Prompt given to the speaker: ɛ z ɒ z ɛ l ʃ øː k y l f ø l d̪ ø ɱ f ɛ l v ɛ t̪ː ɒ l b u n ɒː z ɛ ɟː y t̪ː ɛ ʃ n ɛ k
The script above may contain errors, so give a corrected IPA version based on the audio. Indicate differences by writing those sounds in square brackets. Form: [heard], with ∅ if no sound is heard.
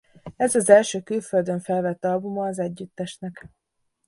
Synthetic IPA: ɛ z ɒ z ɛ l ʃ øː k y l f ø l d̪ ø ɱ f ɛ l v ɛ t̪ː ɒ l b u [m] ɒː z ɛ ɟː y t̪ː ɛ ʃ n ɛ k